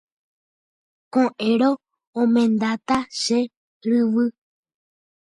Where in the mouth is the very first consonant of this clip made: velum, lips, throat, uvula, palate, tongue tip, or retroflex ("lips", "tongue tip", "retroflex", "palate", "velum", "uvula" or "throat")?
velum